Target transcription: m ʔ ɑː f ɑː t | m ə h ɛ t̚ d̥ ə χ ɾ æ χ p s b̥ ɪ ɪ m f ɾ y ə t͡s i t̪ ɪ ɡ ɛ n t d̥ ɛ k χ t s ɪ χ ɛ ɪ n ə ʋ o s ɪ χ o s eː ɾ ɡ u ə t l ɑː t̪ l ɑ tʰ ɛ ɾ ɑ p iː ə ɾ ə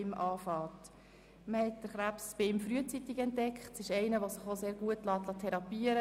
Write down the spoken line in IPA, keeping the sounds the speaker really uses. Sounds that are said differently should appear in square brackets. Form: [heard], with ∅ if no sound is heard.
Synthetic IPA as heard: m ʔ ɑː f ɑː t | m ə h ɛ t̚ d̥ ə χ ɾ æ [∅] p s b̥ ɪ ɪ m f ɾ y ə t͡s i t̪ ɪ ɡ ɛ n t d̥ ɛ k χ t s ɪ [ʃ] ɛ ɪ n ə ʋ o s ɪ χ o s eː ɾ ɡ u ə t l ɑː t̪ l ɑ tʰ ɛ ɾ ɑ p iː ə ɾ ə